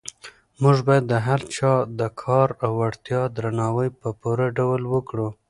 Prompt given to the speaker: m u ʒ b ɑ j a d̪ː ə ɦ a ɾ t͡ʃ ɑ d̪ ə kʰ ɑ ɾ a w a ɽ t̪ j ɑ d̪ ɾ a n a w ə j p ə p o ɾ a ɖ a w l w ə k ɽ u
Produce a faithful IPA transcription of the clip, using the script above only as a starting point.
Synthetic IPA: m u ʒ b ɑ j a d̪ː ə ɦ a ɾ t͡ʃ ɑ d̪ ə kʰ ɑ ɾ a w a ɽ t̪ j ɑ d̪ ɾ a n ɑ w ə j p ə p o ɾ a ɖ a w l w ə k ɽ u